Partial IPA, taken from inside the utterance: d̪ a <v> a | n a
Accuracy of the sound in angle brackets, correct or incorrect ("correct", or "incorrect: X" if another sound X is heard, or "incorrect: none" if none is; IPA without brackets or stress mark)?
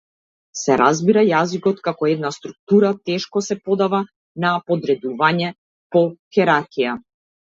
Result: correct